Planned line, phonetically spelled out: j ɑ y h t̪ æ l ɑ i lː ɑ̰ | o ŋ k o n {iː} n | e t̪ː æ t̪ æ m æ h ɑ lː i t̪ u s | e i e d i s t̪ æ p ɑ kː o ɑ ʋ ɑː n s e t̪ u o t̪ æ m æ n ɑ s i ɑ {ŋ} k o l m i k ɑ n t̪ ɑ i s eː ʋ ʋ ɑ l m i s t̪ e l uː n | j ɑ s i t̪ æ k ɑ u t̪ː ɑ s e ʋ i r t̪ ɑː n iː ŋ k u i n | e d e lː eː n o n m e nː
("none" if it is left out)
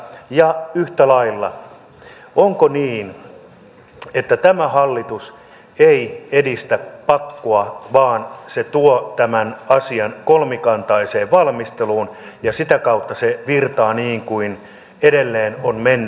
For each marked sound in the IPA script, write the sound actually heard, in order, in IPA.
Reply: iː, n

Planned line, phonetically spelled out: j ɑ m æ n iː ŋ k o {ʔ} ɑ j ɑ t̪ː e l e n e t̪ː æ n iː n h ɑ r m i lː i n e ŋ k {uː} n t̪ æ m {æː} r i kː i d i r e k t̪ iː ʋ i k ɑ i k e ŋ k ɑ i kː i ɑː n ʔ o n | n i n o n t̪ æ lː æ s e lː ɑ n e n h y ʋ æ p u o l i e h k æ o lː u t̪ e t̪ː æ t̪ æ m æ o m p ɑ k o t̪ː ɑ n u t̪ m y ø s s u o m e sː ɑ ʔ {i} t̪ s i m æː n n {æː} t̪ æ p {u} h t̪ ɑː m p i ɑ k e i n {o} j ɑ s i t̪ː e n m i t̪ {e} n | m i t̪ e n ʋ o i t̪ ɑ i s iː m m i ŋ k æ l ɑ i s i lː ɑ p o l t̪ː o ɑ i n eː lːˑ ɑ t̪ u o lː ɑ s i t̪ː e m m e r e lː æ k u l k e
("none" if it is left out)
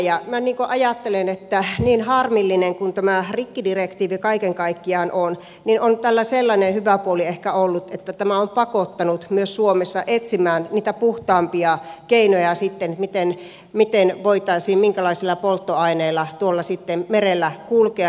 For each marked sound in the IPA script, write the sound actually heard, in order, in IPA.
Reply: ʔ, u, æ, e, iː, u, o, e

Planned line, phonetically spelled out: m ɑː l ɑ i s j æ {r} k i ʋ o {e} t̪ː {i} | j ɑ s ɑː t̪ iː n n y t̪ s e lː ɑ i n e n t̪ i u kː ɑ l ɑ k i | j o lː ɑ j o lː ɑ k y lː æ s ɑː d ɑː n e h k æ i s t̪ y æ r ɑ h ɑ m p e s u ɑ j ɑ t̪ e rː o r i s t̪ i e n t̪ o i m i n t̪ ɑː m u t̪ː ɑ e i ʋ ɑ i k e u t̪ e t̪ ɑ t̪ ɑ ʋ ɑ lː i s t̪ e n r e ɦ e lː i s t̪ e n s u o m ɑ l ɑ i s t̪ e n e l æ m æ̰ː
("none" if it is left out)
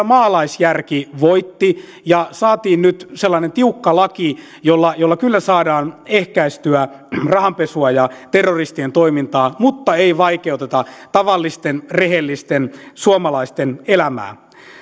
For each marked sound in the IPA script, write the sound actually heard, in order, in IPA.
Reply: r, i, i

